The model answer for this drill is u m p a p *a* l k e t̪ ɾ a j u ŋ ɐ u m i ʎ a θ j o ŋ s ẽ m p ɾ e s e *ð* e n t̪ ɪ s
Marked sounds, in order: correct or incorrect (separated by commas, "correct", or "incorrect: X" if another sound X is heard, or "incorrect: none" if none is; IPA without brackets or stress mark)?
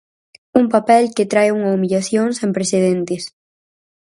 incorrect: ɛ, correct